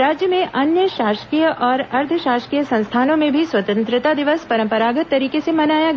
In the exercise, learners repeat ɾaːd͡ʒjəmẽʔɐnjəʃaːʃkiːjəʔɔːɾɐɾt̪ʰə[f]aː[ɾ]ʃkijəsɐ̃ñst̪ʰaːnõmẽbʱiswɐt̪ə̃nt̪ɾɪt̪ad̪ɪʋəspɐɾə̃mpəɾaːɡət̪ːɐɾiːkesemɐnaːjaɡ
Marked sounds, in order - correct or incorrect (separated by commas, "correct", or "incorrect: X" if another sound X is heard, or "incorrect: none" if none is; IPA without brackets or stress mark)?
incorrect: ʃ, incorrect: none